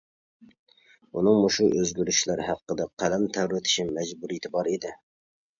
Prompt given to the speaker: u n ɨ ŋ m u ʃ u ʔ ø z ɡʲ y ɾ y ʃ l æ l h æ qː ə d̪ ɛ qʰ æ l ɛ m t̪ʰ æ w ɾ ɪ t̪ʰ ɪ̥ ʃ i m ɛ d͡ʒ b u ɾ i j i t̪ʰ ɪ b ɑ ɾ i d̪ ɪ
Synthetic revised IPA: u n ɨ ŋ m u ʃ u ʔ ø z ɡʲ y ɾ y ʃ l æ ɾ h æ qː ə d̪ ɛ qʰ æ l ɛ m t̪ʰ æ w ɾ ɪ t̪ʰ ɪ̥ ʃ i m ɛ d͡ʒ b u ɾ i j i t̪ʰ ɪ b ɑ ɾ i d̪ ɪ

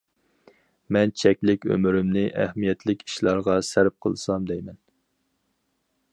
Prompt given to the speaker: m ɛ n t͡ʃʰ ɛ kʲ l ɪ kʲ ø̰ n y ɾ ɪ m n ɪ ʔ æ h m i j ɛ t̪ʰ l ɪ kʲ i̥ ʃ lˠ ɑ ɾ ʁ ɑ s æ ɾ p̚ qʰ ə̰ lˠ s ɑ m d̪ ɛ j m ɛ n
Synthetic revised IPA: m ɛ n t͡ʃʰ ɛ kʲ l ɪ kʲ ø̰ m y ɾ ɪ m n ɪ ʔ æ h m i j ɛ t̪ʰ l ɪ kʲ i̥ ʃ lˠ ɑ ɾ ʁ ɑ s æ ɾ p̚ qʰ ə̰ lˠ s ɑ m d̪ ɛ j m ɛ n

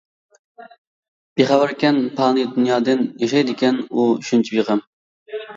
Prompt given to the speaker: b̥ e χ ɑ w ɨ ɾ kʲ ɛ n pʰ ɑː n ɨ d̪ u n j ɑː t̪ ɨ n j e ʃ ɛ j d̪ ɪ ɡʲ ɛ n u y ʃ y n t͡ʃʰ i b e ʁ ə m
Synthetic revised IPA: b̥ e χ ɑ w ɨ ɾ kʲ ɛ n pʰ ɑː n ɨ d̪ u n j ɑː d̪ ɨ n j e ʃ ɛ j d̪ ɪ kʲ ɛ n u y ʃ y n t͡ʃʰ i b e ʁ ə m

